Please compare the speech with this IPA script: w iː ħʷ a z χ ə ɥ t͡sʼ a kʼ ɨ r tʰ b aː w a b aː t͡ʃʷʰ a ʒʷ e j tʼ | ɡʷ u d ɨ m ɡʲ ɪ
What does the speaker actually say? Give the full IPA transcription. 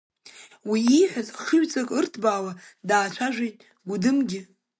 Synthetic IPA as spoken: w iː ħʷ a z χ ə ɥ t͡sʼ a kʼ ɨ r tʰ b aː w a d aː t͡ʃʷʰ a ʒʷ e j tʼ | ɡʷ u d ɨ m ɡʲ ɪ